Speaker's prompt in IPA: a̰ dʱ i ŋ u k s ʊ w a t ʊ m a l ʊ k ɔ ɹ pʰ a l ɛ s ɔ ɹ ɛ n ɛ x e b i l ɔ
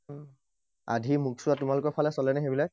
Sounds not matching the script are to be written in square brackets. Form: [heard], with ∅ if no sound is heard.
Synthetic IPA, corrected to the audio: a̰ dʱ i [m] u k s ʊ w a t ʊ m a l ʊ k ɔ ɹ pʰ a l ɛ s ɔ [l] ɛ n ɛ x e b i l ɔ